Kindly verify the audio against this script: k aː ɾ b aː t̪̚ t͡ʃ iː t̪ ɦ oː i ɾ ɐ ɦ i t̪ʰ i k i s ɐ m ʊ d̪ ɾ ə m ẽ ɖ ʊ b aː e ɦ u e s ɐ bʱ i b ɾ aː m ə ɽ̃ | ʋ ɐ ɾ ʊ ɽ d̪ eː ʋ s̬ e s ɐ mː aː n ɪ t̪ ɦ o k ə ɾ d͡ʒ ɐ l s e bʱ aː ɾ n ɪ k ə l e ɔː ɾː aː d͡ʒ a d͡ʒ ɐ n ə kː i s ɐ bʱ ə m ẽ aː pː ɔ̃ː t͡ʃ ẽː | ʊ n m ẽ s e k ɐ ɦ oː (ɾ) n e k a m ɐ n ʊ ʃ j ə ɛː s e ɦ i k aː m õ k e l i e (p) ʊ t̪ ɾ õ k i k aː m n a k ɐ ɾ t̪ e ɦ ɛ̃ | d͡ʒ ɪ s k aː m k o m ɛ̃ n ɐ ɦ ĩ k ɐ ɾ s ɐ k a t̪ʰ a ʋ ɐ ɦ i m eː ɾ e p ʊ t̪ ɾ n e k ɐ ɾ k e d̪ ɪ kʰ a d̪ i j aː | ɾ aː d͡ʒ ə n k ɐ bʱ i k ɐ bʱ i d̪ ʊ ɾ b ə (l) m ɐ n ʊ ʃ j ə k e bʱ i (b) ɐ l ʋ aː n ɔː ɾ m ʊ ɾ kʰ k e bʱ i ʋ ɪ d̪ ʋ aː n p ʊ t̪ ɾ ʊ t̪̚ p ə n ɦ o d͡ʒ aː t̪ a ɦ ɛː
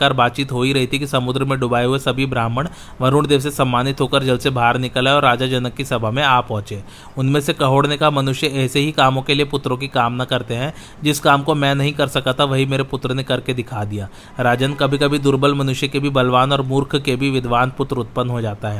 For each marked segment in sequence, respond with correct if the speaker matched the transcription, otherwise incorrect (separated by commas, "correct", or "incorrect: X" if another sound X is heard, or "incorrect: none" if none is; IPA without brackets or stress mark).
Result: incorrect: ɽ, correct, correct, correct